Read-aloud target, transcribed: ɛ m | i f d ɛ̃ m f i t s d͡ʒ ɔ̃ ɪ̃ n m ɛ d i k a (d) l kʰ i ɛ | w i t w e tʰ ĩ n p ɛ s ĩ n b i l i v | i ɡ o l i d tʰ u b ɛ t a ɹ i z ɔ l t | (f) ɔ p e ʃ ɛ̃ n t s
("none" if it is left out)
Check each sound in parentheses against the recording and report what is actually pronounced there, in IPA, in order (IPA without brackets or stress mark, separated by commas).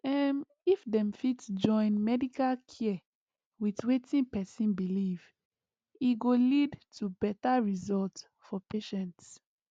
none, f